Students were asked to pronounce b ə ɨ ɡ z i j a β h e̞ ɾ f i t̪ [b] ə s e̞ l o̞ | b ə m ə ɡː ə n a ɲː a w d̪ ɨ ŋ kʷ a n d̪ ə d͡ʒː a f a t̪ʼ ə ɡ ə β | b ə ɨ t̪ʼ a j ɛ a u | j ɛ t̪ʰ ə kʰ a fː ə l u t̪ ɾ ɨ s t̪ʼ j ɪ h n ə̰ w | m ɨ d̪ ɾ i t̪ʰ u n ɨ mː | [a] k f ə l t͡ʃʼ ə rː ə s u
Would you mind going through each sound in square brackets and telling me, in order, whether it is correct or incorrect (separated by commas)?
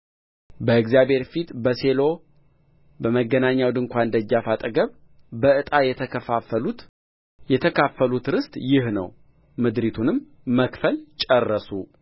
correct, incorrect